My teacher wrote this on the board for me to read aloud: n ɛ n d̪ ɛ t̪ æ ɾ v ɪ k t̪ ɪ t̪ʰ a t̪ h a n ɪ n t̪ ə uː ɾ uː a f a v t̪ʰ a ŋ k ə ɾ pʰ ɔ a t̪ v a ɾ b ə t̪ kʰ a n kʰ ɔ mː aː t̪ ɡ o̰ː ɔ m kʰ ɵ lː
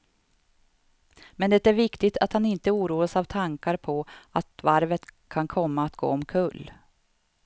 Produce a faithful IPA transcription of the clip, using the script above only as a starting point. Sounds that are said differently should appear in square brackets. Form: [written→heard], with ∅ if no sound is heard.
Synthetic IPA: [n→m] ɛ n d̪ ɛ t̪ æ ɾ v ɪ k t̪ ɪ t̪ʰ a t̪ h a n ɪ n t̪ ə uː ɾ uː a [f→s] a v t̪ʰ a ŋ k [ə→a] ɾ pʰ ɔ a t̪ v a ɾ [b→v] ə t̪ kʰ a n kʰ ɔ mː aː t̪ ɡ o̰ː ɔ m kʰ ɵ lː